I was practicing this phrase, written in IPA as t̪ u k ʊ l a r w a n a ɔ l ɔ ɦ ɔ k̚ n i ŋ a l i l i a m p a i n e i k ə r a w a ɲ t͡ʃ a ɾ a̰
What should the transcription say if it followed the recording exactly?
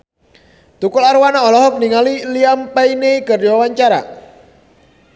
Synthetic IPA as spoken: t̪ u k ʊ l a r w a n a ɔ l ɔ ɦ ɔ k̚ n i ŋ a l i l i a m p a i n e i k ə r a w a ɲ t͡ʃ a ɾ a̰